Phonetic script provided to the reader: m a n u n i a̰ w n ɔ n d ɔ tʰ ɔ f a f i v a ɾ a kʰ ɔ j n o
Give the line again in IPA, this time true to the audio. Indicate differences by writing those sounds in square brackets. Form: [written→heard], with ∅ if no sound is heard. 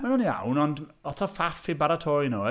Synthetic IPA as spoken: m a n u n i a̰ w n ɔ n d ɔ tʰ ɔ f a f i [v→b] a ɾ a [kʰ→tʰ] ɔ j n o